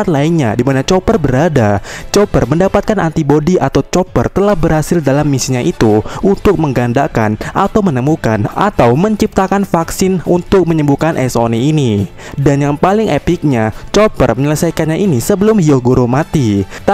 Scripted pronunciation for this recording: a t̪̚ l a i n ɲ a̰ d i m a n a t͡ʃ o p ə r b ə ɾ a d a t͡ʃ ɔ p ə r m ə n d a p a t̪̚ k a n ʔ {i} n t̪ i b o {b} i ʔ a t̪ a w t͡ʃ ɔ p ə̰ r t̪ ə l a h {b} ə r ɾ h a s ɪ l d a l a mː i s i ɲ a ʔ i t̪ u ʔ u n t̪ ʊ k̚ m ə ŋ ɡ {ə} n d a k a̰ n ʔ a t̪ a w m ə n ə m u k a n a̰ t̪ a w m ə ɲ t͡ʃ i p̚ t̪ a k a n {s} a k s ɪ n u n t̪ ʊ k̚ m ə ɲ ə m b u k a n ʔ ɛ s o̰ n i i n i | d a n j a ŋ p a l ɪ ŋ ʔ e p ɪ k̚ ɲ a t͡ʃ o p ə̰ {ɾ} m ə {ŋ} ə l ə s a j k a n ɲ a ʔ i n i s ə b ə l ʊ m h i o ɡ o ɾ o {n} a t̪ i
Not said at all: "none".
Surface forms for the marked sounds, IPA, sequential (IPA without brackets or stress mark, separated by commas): a, d, b, a, f, r, ɲ, m